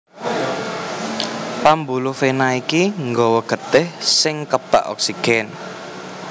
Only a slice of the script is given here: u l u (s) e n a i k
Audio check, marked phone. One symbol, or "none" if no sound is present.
f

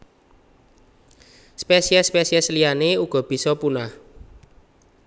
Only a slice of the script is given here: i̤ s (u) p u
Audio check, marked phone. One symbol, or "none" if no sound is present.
ɔ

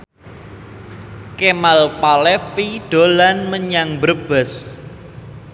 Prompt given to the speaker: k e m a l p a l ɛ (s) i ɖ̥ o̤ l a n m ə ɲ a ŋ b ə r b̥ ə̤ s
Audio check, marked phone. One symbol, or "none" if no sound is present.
f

